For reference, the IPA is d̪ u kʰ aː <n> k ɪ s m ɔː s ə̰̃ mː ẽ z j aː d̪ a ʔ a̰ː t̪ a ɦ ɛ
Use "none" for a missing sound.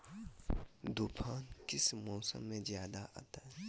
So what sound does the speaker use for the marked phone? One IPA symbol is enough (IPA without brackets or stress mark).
n